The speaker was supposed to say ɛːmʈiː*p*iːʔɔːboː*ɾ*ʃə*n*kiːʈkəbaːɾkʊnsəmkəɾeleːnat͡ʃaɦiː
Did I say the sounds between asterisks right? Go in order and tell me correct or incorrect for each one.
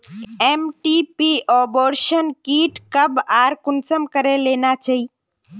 correct, correct, correct

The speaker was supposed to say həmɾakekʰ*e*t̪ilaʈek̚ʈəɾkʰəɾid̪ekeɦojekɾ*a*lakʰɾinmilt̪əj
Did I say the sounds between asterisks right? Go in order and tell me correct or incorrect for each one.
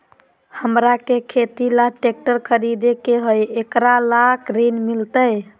correct, correct

